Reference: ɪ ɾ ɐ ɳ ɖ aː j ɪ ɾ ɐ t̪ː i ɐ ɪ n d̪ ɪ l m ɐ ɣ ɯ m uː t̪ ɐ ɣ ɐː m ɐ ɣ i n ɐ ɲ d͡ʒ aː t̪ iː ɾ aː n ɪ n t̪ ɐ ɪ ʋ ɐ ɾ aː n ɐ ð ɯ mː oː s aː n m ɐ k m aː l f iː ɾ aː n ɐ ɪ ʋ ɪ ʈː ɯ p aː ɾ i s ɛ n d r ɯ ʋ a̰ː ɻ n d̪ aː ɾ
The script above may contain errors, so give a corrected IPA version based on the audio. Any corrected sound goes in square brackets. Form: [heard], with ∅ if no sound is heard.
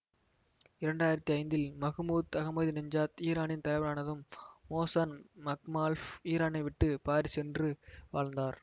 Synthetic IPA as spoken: ɪ ɾ ɐ ɳ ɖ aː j ɪ ɾ ɐ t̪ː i ɐ ɪ n d̪ ɪ l m ɐ ɣ ɯ m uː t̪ ɐ ɣ [ɐ] m ɐ [ð] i n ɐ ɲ d͡ʒ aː t̪ iː ɾ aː n ɪ n t̪ ɐ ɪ ʋ ɐ ɾ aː n ɐ ð ɯ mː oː s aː n m ɐ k m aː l f iː ɾ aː n ɐ ɪ ʋ ɪ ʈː ɯ p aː ɾ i s ɛ n d r ɯ ʋ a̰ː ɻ n d̪ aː ɾ